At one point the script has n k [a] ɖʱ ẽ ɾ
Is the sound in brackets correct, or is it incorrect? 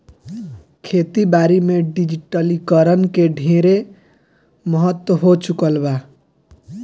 incorrect: e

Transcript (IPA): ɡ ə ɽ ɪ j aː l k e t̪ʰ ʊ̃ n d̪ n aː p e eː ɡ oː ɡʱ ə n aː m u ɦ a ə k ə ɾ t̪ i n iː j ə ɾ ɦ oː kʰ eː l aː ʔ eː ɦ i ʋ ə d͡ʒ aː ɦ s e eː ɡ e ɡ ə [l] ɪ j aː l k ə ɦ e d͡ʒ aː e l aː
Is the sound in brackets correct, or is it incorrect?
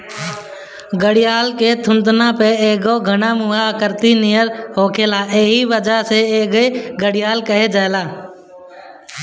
incorrect: ɽ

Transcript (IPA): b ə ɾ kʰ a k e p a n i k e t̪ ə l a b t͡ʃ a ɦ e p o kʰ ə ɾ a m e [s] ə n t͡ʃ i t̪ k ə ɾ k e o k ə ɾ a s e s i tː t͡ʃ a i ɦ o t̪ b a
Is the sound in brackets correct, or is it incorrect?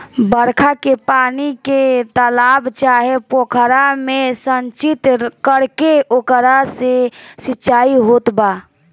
correct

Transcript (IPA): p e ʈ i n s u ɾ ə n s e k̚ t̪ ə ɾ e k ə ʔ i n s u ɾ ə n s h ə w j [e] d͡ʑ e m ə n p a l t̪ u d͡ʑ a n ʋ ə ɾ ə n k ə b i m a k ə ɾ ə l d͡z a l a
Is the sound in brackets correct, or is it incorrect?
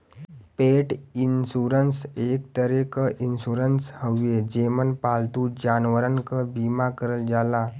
correct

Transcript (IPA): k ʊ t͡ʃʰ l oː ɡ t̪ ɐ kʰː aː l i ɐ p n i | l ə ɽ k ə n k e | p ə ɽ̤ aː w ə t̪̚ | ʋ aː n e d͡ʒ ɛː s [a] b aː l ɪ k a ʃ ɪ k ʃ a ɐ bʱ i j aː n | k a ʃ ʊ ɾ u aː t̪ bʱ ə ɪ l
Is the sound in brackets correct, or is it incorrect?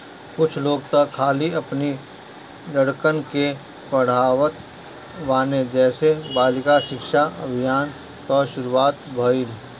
incorrect: e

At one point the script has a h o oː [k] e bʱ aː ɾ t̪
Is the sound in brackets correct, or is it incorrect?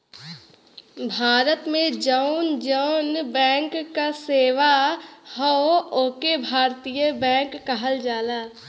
correct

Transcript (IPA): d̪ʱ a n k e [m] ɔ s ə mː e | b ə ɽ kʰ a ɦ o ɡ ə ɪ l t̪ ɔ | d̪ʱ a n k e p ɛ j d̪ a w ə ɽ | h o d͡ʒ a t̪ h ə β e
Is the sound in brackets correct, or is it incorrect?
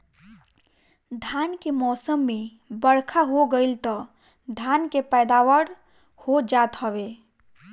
correct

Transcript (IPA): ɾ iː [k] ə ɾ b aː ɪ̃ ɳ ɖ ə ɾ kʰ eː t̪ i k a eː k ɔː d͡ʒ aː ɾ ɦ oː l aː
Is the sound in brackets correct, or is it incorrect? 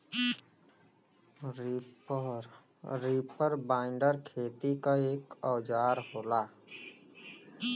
incorrect: p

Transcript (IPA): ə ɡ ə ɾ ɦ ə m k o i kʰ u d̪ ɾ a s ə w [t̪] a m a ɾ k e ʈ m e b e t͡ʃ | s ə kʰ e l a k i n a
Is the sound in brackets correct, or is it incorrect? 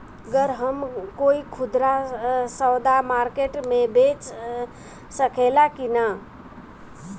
incorrect: d̪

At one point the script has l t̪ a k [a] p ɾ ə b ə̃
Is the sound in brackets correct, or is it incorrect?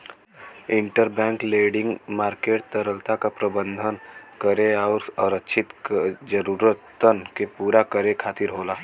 correct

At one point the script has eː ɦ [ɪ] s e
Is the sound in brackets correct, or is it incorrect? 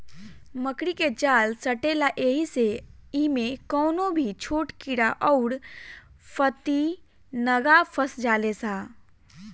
incorrect: i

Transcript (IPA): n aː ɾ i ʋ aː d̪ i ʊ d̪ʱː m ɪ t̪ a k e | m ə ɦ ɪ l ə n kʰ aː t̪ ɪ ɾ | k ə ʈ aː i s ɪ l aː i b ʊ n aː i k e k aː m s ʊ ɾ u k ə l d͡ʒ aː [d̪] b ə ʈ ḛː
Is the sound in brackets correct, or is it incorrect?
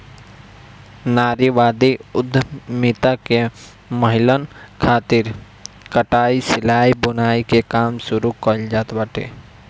incorrect: t̪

